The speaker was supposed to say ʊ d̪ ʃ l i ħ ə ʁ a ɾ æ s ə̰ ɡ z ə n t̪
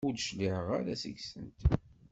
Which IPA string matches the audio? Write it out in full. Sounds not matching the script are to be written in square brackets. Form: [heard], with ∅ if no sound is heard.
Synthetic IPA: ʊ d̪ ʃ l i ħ ə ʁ a ɾ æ s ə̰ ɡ [s] ə n t̪